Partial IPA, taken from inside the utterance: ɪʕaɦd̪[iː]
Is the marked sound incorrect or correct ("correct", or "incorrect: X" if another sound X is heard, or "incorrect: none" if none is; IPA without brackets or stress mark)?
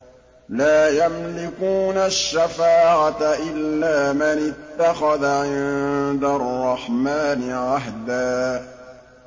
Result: incorrect: aː